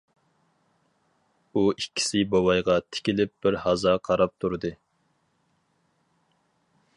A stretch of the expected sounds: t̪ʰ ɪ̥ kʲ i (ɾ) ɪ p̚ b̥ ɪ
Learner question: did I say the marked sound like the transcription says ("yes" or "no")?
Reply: no